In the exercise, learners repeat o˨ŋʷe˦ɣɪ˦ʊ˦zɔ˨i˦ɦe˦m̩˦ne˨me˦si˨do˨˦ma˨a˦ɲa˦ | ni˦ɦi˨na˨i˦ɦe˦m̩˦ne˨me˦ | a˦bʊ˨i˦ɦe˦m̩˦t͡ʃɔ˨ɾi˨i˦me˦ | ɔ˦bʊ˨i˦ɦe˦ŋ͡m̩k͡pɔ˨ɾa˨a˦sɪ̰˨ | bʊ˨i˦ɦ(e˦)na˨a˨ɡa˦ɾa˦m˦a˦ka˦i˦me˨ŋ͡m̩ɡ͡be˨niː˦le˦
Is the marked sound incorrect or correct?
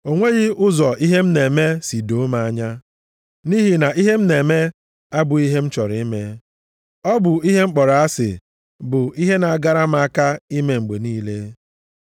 correct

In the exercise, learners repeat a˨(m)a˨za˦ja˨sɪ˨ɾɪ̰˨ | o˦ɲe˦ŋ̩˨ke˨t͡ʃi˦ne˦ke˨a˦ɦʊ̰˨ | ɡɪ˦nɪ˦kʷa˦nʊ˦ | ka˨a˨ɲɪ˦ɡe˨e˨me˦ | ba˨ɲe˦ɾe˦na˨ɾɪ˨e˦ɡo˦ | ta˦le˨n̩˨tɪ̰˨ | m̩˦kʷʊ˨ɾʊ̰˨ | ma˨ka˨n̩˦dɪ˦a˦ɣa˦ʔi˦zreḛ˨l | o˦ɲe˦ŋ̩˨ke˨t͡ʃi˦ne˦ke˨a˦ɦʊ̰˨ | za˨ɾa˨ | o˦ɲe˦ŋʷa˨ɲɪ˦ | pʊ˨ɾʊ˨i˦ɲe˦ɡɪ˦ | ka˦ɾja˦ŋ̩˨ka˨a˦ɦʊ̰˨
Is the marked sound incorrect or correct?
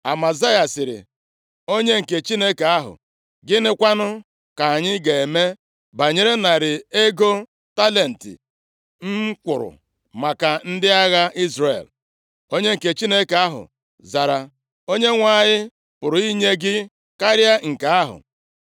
correct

